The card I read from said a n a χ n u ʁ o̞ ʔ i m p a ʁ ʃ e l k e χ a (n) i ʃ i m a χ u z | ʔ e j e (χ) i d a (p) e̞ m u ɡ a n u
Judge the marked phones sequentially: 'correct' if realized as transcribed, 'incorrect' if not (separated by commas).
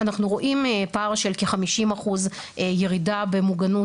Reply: incorrect, incorrect, incorrect